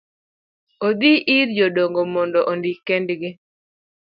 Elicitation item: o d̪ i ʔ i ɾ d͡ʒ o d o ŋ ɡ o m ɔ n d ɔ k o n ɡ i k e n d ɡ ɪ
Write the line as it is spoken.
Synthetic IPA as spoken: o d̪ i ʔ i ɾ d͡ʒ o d o ŋ ɡ o m ɔ n d ɔ ʔ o n d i k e n d ɡ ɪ

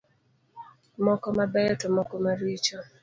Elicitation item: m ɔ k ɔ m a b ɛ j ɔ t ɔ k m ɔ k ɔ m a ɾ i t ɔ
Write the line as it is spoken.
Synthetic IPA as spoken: m ɔ k ɔ m a b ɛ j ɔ t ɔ m ɔ k ɔ m a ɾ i t͡ʃ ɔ

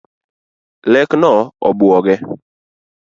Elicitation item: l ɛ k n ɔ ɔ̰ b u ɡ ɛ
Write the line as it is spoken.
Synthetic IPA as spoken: l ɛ k n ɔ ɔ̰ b ɔ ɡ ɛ

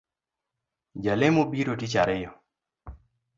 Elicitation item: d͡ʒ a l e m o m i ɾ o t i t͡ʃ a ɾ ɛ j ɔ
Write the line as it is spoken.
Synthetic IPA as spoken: d͡ʒ a l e m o b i ɾ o t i t͡ʃ a ɾ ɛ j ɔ

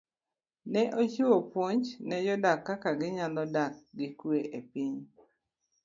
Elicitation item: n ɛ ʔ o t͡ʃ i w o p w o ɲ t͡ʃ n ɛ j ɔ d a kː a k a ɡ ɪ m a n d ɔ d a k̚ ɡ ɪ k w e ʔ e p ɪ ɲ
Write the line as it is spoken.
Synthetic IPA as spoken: n ɛ ʔ o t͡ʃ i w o p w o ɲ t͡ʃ n ɛ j ɔ d a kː a k a ɡ ɪ ɲ a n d ɔ d a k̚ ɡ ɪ k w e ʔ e p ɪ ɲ

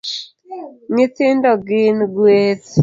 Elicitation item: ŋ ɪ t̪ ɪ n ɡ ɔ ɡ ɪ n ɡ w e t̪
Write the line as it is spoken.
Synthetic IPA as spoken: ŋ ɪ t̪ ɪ n d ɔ ɡ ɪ n ɡ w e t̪

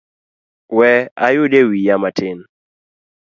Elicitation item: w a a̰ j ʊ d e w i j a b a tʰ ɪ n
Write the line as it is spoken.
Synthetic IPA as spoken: w ɛ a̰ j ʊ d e w i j a m a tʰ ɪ n

